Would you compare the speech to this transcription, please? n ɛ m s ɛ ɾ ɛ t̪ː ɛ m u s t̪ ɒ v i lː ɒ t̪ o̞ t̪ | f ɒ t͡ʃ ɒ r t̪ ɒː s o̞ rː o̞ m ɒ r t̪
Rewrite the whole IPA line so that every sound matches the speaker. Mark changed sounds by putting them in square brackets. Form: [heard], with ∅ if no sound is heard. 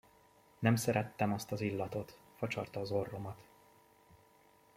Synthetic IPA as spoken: n ɛ m s ɛ ɾ ɛ t̪ː ɛ m [ɒ] s t̪ ɒ [z] i lː ɒ t̪ o̞ t̪ | f ɒ t͡ʃ ɒ r t̪ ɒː [z] o̞ rː o̞ m ɒ [∅] t̪